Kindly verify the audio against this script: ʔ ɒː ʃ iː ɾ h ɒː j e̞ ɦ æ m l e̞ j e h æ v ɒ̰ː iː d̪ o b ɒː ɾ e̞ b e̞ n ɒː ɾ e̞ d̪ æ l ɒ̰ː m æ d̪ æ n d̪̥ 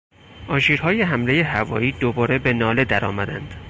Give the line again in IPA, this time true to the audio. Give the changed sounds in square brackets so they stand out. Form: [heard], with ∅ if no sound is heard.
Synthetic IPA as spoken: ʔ ɒː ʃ iː ɾ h ɒː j e̞ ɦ æ m l e̞ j e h æ v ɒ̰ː iː d̪ o b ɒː ɾ e̞ b e̞ n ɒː [l] e̞ d̪ æ [ɾ] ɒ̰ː m æ d̪ æ n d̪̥